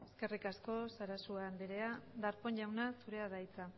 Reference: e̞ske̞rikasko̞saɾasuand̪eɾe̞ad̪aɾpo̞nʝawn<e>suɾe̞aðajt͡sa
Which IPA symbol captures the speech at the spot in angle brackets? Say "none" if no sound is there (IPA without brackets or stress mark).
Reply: a